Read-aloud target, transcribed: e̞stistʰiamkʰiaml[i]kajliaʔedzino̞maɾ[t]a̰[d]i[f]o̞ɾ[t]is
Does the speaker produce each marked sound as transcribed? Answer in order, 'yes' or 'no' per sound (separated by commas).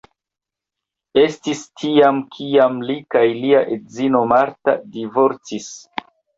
yes, yes, yes, no, no